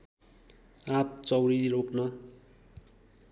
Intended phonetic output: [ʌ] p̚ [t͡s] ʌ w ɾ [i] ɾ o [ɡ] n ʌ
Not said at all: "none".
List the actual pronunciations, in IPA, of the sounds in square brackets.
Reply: a, t͡s, i, k

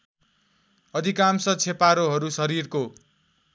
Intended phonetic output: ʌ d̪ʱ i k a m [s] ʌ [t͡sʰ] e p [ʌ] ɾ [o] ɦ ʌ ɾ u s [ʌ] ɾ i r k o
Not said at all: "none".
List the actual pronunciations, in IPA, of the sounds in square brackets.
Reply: s, t͡sʰ, a, o, ʌ

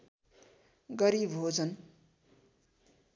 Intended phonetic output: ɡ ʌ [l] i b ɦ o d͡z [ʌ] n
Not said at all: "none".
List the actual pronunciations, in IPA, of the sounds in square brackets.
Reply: ɾ, ʌ

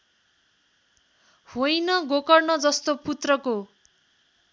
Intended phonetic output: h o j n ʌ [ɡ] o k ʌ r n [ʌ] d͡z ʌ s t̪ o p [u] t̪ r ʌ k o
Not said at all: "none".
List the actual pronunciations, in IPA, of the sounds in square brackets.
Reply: ɡ, ʌ, u

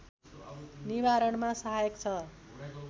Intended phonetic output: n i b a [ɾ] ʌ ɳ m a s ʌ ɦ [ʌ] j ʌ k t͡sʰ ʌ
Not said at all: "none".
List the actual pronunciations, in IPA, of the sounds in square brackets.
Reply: ɾ, a

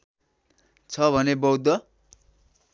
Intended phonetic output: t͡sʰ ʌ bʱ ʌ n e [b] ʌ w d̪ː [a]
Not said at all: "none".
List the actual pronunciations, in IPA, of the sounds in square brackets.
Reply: b, ʌ

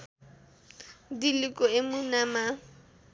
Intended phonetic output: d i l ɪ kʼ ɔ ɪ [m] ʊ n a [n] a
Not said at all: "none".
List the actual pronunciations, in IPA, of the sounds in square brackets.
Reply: m, m

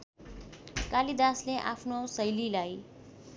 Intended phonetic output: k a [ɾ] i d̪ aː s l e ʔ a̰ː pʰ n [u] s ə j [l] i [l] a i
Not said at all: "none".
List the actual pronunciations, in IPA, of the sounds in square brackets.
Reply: l, o, l, l

